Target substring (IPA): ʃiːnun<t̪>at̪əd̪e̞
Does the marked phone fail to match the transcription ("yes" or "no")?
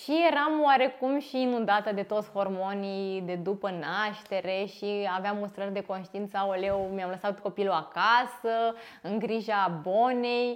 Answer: yes